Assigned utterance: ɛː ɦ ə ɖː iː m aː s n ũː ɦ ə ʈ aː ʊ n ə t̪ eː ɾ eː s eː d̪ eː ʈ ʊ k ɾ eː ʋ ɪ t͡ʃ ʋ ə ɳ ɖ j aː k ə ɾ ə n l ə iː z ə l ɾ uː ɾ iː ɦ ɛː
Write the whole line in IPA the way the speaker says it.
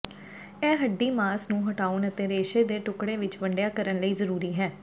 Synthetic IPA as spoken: ɛː ɦ ə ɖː iː m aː s n ũː ɦ ə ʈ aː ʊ n ə t̪ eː ɾ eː ʃ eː d̪ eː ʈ ʊ k ɽ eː ʋ ɪ t͡ʃ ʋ ə ɳ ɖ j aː k ə ɾ ə n l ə iː z ə ɾ uː ɾ iː ɦ ɛː